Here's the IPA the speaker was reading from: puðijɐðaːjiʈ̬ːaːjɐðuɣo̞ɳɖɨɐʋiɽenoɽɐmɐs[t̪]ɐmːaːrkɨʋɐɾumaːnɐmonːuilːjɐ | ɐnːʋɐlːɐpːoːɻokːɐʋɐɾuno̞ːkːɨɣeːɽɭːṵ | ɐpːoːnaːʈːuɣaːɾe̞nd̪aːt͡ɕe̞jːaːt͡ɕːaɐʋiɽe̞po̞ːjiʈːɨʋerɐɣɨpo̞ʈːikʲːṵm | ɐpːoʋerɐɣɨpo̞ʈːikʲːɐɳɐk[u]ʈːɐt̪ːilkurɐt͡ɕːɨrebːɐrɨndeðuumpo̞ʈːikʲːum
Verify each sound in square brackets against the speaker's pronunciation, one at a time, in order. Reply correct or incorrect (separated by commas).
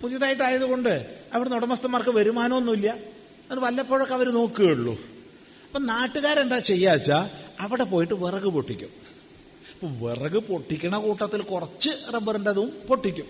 correct, incorrect